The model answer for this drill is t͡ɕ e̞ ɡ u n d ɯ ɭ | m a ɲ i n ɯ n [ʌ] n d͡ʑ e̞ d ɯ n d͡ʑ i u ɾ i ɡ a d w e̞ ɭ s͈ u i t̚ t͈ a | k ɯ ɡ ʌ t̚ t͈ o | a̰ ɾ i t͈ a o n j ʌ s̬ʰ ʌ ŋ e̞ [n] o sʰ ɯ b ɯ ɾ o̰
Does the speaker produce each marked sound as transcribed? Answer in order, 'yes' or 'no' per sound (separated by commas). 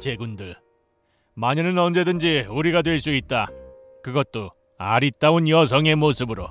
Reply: yes, no